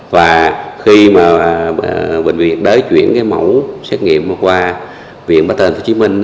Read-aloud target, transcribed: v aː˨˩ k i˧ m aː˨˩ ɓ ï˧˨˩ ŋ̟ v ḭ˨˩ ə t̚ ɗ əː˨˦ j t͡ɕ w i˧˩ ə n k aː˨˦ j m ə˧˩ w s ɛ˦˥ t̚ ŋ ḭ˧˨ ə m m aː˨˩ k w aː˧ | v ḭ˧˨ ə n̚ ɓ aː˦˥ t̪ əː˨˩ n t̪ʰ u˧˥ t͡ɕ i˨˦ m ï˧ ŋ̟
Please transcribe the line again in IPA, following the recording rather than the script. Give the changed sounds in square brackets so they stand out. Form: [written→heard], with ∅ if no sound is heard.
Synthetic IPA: v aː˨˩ [k→x] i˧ m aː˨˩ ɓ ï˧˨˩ ŋ̟ v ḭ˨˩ ə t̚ ɗ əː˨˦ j t͡ɕ w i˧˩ ə n k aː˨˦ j m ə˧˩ w s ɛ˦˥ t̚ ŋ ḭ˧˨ ə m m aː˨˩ k w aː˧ | v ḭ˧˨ ə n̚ ɓ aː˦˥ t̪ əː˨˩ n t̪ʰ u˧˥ t͡ɕ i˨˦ m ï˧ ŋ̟

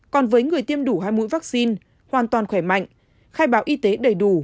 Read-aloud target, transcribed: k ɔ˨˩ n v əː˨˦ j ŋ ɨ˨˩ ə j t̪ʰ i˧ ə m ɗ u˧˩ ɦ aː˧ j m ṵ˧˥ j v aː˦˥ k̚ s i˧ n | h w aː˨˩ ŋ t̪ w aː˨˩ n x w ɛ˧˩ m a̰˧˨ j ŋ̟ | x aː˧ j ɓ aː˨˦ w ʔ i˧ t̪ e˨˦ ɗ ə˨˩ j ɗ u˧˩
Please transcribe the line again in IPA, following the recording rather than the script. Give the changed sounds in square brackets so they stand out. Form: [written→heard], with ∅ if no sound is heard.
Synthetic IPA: k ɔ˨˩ n v əː˨˦ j ŋ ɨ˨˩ ə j [t̪ʰ→t̪] i˧ ə m ɗ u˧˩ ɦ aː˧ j m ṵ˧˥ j v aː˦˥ k̚ s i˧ n | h w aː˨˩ [ŋ→n] t̪ w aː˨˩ n x w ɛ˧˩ m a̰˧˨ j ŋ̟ | x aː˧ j ɓ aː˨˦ w ʔ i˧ t̪ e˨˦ ɗ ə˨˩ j ɗ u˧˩

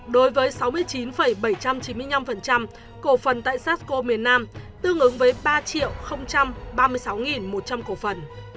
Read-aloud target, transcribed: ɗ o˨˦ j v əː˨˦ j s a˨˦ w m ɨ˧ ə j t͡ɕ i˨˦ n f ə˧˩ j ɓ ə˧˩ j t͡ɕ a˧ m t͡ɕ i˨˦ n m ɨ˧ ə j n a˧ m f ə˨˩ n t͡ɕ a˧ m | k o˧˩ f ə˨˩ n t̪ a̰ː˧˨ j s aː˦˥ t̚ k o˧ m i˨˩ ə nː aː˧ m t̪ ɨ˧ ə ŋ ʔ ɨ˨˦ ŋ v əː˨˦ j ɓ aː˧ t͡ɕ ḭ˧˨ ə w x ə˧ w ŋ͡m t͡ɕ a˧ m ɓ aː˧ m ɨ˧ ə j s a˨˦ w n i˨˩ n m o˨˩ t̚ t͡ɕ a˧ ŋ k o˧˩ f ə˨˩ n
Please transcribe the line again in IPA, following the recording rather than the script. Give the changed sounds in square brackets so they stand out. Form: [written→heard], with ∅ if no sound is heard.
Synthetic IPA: ɗ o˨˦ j v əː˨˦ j s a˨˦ w m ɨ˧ ə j t͡ɕ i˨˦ n f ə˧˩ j ɓ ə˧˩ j t͡ɕ a˧ m t͡ɕ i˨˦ n m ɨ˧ ə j n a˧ m f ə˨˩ n t͡ɕ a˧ m | k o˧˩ f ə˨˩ n t̪ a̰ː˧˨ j s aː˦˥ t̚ k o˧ m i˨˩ ə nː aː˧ m t̪ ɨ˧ ə ŋ ʔ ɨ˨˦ ŋ v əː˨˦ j ɓ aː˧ t͡ɕ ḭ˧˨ ə w x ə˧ w ŋ͡m t͡ɕ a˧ m ɓ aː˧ m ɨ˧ ə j s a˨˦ w [n→ŋ] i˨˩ n m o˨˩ t̚ t͡ɕ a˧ [ŋ→m] k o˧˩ f ə˨˩ n

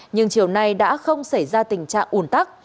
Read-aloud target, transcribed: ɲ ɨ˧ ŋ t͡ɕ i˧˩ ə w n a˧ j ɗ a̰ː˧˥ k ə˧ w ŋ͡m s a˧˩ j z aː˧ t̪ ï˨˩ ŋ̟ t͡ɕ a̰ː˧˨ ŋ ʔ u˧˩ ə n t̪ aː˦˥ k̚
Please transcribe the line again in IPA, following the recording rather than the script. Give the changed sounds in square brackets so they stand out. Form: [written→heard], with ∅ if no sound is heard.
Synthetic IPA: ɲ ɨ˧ ŋ t͡ɕ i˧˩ ə w n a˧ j ɗ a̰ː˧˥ [k→x] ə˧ w ŋ͡m s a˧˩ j z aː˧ t̪ ï˨˩ ŋ̟ t͡ɕ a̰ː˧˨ ŋ ʔ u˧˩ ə n t̪ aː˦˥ k̚

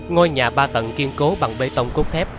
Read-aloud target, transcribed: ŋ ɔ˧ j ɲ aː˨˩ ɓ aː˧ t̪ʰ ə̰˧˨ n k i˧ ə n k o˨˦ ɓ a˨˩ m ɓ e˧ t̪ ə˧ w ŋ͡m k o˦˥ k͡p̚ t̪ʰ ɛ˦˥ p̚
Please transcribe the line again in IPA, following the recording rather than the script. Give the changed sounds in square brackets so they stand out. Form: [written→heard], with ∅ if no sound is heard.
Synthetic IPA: ŋ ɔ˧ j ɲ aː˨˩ ɓ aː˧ [t̪ʰ→t̪] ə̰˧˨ n k i˧ ə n k o˨˦ ɓ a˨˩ [m→ŋ] ɓ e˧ t̪ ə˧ w ŋ͡m k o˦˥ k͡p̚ t̪ʰ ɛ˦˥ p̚

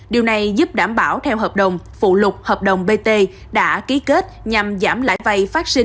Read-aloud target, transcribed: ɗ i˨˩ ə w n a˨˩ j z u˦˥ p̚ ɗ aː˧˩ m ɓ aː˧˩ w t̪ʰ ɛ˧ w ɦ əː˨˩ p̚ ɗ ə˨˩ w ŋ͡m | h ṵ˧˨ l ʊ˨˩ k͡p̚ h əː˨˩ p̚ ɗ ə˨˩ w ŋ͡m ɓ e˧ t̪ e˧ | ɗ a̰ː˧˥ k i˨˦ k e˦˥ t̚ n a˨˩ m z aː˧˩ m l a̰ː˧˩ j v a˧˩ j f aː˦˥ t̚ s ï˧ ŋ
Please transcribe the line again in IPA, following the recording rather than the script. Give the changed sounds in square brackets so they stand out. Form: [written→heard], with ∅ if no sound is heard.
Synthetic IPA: ɗ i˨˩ ə w n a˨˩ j z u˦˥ p̚ ɗ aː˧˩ m ɓ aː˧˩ w t̪ʰ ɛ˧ w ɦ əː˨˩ p̚ ɗ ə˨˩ w ŋ͡m | [h→f] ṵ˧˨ l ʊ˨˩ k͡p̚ h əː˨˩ p̚ ɗ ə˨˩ w ŋ͡m ɓ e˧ t̪ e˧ | ɗ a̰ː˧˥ k i˨˦ k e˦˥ t̚ [n→ɲ] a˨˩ m z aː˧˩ m l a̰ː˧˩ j v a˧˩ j f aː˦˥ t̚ s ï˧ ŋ

